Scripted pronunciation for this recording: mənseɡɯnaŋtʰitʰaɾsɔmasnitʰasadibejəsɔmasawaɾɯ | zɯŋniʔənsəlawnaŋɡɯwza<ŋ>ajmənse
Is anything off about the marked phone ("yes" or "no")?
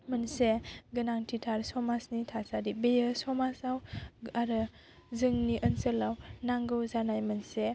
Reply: yes